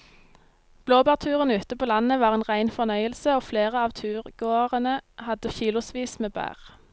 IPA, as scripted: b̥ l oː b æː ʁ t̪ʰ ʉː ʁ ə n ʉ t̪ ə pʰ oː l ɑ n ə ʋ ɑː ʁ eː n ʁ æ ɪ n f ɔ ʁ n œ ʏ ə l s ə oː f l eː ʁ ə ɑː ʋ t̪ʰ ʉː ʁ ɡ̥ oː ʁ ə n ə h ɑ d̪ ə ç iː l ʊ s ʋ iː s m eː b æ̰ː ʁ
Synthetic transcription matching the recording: b̥ l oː b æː ʁ t̪ʰ ʉː ʁ ə n ʉː t̪ ə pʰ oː l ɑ n ə ʋ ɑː ʁ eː n ʁ æ ɪ n f ɔ ʁ n œ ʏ ə l s ə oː f l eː ʁ ə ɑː ʋ t̪ʰ ʉː ʁ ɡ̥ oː ʁ ə n ə h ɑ d̪ ə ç iː l ʊ s ʋ iː s m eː b æ̰ː ʁ